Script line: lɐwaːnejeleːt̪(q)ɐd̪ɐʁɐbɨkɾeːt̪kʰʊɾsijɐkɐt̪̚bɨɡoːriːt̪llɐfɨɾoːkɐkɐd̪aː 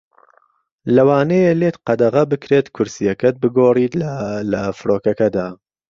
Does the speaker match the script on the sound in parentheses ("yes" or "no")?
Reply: yes